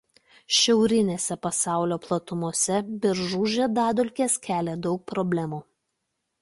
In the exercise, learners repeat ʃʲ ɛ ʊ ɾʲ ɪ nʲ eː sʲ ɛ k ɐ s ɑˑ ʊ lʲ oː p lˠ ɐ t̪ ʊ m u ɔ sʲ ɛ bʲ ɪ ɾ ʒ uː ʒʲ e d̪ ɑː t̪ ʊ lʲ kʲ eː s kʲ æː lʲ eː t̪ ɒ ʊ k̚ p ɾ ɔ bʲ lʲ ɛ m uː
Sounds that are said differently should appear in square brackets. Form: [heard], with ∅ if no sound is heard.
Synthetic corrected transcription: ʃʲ ɛ ʊ ɾʲ ɪ nʲ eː sʲ ɛ [p] ɐ s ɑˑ ʊ lʲ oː p lˠ ɐ t̪ ʊ m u ɔ sʲ ɛ bʲ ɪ ɾ ʒ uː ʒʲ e d̪ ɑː [d̪] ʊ lʲ kʲ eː s kʲ æː lʲ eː [d̪] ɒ ʊ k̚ p ɾ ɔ bʲ lʲ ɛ m uː